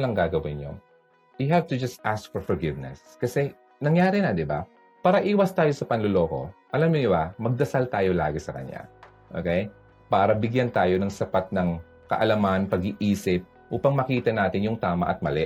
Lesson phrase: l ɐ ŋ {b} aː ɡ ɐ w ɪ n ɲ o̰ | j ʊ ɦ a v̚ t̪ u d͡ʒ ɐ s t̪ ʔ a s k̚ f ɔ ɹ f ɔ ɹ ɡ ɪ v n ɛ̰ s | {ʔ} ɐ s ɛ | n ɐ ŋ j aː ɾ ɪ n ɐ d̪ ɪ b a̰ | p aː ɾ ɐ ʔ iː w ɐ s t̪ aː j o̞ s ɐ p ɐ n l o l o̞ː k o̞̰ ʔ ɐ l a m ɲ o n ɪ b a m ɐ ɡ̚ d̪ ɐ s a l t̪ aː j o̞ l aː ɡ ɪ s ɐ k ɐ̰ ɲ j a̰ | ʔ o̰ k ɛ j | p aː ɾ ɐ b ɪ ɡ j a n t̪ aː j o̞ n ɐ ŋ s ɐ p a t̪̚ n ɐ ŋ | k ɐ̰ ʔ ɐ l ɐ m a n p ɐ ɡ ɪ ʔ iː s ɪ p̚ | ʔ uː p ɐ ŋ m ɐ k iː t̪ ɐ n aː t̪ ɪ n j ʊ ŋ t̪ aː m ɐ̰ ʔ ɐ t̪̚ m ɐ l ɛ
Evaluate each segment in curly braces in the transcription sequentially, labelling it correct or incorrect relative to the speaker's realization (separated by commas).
incorrect, incorrect